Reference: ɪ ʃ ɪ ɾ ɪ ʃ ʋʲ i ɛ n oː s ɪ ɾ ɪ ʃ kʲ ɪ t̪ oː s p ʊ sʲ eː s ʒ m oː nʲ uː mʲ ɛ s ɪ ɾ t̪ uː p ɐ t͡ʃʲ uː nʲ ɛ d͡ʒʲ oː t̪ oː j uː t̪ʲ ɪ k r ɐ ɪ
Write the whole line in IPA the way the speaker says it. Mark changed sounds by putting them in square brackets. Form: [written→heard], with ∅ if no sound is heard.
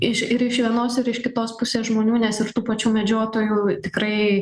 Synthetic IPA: ɪ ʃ ɪ ɾ ɪ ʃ ʋʲ i ɛ n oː s ɪ ɾ ɪ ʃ kʲ ɪ t̪ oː s p ʊ sʲ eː s ʒ m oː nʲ uː [mʲ→nʲ] ɛ s ɪ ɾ t̪ uː p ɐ t͡ʃʲ uː [nʲ→mʲ] ɛ d͡ʒʲ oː t̪ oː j uː t̪ʲ ɪ k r ɐ ɪ